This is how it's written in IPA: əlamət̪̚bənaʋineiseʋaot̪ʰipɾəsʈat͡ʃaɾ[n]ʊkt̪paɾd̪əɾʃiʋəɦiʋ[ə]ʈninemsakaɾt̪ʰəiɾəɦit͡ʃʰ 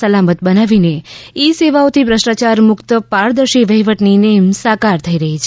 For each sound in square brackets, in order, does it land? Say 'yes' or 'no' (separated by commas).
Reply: no, yes